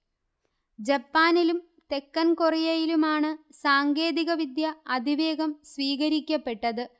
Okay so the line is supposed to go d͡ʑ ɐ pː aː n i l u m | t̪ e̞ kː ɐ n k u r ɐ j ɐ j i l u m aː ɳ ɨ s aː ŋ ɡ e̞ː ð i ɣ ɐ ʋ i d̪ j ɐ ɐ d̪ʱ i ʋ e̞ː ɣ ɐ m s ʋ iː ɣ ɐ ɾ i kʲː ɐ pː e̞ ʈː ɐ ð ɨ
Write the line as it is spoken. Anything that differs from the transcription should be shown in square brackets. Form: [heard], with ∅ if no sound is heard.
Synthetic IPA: d͡ʑ ɐ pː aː n i l u m | t̪ e̞ kː ɐ n k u r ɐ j ɐ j i l u m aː ɳ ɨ s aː ŋ ɡ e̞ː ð i ɣ ɐ ʋ i d̪ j ɐ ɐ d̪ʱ i ʋ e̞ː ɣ ɐ m s ʋ iː ɣ ɐ ɾ i kʲː ɐ pː e̞ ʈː ɐ ð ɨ